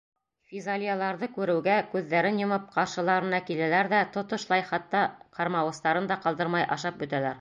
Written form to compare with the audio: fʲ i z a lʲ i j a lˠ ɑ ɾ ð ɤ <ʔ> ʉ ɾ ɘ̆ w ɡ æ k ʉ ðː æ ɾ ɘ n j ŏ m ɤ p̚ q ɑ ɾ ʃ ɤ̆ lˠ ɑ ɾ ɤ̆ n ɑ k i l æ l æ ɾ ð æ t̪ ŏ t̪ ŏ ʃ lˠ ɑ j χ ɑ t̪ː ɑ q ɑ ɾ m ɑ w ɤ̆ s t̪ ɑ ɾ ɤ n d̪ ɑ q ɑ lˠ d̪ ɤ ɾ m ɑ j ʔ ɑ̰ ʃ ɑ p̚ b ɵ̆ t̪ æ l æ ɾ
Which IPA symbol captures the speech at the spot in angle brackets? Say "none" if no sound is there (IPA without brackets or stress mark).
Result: k